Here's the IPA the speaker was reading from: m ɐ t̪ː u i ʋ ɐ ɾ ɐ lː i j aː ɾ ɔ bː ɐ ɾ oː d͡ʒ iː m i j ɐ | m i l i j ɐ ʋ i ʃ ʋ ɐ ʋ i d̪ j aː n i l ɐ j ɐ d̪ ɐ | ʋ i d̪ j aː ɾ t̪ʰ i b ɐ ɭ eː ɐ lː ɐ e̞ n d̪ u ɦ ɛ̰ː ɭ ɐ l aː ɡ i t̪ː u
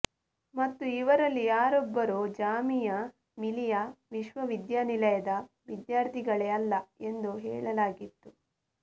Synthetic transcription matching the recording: m ɐ t̪ː u i ʋ ɐ ɾ ɐ lː i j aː ɾ ɔ bː ɐ ɾ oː d͡ʒ aː m i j ɐ | m i l i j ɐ ʋ i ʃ ʋ ɐ ʋ i d̪ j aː n i l ɐ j ɐ d̪ ɐ | ʋ i d̪ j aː ɾ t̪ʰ i ɡ ɐ ɭ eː ɐ lː ɐ e̞ n d̪ u ɦ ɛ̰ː ɭ ɐ l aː ɡ i t̪ː u